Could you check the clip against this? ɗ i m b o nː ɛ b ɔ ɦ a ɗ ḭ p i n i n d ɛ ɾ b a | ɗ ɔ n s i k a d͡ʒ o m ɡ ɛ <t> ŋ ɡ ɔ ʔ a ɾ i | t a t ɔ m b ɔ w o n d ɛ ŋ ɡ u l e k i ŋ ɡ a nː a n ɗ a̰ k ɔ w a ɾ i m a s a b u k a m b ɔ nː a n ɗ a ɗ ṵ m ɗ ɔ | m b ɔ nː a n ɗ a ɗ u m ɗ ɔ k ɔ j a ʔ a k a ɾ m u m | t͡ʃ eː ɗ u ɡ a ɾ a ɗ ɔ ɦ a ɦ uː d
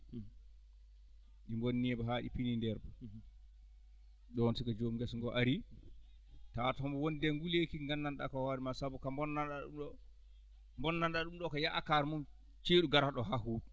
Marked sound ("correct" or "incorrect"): incorrect